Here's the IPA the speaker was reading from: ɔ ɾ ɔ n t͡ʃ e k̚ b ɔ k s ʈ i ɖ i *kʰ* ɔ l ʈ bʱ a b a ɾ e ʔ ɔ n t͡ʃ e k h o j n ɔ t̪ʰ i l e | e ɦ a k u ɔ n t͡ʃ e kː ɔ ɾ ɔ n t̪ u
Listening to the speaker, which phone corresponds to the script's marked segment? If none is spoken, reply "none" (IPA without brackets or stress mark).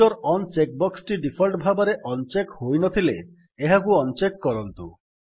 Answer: pʰ